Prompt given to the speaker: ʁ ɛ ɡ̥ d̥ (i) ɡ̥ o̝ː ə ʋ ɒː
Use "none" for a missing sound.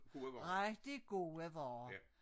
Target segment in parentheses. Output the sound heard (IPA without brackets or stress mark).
i